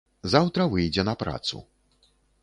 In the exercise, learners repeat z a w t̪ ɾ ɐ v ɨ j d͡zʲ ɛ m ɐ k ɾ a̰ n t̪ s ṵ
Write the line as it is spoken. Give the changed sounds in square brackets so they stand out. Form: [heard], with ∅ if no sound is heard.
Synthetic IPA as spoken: z a w t̪ ɾ ɐ v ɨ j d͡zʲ ɛ [n] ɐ [p] ɾ a̰ [∅] t̪ s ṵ